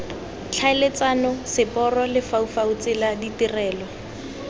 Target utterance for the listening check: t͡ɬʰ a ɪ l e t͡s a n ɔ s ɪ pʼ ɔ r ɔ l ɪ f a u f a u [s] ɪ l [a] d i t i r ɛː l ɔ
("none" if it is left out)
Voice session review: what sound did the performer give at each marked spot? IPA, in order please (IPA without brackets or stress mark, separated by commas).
t͡s, a